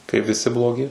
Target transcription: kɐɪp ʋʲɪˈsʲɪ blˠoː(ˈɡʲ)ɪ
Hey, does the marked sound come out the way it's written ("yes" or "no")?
yes